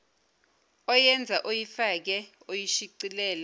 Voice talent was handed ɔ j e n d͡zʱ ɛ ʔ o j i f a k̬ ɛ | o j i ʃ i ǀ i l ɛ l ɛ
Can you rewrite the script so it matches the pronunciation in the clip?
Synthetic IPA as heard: ɔ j ɛ n d͡zʱ a ʔ o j i f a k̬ ɛ | o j i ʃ i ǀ i l ɛː l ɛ